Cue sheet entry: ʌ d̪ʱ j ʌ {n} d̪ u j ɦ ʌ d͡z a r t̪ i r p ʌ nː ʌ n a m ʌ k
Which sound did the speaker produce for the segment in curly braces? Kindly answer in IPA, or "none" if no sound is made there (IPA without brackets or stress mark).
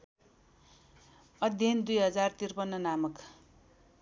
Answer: n